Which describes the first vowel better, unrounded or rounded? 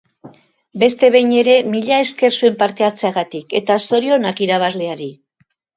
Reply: unrounded